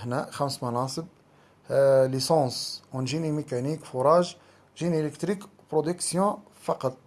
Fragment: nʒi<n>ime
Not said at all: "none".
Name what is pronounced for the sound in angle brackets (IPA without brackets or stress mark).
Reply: n